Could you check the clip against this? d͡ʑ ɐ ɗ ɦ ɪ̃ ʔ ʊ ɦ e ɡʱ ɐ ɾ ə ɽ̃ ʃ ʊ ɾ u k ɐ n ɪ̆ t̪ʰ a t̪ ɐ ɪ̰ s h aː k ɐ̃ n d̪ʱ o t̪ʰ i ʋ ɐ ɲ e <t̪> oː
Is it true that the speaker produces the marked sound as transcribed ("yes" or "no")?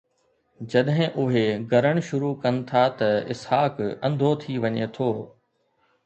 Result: no